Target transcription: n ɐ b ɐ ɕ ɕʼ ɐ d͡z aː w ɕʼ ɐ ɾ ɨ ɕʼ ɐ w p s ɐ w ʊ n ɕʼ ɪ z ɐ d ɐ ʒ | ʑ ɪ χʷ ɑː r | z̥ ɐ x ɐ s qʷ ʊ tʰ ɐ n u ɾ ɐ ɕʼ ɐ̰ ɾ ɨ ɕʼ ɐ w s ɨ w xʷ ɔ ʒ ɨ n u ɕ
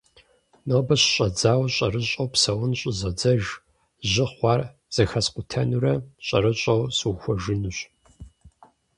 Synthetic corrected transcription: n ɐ b ɐ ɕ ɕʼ ɐ d͡z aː w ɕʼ ɐ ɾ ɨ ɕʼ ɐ w p s ɐ w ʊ n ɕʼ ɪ z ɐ d͡z ɐ ʒ | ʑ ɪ χʷ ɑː r | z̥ ɐ x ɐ s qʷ ʊ tʰ ɐ n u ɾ ɐ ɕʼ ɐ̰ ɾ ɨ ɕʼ ɐ w s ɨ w xʷ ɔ ʒ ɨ n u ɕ